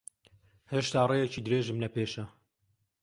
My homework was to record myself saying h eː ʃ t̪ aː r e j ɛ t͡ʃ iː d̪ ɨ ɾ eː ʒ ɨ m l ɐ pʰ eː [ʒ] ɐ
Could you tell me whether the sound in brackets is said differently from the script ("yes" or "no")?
yes